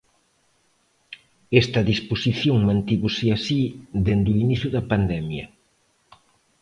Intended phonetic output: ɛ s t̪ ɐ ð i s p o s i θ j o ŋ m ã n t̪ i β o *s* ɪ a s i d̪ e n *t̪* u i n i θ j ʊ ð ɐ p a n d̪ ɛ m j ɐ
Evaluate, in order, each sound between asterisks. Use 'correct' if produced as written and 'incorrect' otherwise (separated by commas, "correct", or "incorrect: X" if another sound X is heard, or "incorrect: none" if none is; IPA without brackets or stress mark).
correct, incorrect: d̪